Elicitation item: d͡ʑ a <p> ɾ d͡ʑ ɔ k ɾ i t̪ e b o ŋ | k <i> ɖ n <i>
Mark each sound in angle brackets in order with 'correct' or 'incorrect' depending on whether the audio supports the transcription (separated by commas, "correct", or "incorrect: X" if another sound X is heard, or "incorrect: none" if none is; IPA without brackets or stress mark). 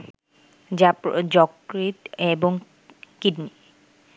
correct, correct, correct